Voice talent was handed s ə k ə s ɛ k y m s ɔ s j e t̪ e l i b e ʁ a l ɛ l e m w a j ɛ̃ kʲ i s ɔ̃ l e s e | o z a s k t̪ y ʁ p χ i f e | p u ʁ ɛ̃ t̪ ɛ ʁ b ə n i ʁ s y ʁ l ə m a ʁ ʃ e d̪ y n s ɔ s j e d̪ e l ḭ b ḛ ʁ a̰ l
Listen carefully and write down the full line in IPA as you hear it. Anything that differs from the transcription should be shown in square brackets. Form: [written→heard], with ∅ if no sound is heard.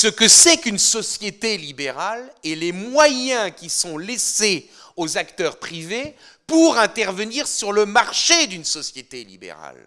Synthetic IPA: s ə k ə s ɛ k y [m→n] s ɔ s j e t̪ e l i b e ʁ a l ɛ l e m w a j ɛ̃ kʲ i s ɔ̃ l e s e | o z a [s→∅] k t̪ [y→œ] ʁ p χ i [f→v] e | p u ʁ ɛ̃ t̪ ɛ ʁ [b→v] ə n i ʁ s y ʁ l ə m a ʁ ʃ e d̪ y n s ɔ s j e [d̪→t̪] e l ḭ b ḛ ʁ a̰ l